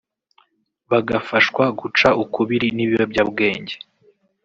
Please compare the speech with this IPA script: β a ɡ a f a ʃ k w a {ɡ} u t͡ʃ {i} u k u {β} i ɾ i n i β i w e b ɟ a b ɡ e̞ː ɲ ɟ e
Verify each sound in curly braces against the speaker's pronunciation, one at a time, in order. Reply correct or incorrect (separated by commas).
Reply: correct, incorrect, correct